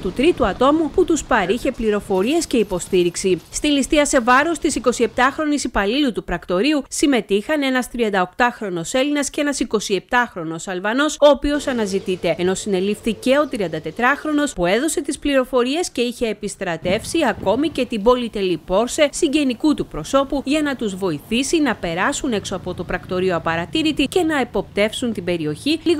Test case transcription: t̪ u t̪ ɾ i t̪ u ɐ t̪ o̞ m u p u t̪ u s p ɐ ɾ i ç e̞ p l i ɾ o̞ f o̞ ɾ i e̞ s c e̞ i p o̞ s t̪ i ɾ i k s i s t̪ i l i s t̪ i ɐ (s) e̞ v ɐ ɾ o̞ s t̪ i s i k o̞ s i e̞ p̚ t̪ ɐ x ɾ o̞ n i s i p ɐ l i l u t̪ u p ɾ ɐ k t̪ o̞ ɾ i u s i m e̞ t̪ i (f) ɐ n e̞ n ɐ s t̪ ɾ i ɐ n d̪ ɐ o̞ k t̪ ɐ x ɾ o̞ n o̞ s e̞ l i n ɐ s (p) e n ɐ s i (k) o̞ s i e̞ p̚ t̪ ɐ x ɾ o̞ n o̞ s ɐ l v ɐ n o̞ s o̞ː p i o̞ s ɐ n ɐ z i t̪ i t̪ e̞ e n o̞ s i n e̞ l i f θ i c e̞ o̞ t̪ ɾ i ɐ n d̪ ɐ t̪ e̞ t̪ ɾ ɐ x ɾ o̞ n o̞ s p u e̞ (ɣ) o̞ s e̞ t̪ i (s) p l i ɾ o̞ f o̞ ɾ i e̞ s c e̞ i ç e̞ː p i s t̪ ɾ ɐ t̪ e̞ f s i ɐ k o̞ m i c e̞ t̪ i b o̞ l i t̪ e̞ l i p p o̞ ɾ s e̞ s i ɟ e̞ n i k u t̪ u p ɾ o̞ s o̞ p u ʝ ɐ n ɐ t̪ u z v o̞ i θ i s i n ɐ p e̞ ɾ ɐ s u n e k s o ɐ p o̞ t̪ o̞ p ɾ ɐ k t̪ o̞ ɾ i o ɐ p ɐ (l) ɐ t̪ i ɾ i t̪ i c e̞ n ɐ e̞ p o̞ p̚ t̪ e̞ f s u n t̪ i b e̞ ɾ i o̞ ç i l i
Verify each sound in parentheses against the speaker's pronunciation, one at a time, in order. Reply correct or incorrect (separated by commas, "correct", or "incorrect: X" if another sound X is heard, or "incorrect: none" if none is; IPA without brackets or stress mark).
correct, incorrect: x, incorrect: c, correct, incorrect: ð, correct, incorrect: ɾ